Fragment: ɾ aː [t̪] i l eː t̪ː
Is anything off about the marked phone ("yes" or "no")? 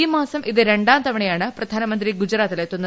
no